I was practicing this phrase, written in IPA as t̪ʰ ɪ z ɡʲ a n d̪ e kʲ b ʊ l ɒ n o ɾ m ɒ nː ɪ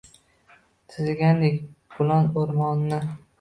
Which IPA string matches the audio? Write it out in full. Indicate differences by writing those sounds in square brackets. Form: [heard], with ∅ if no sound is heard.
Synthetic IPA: t̪ʰ ɪ z ɡʲ a n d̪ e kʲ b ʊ l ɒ n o ɾ m ɒ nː ɪ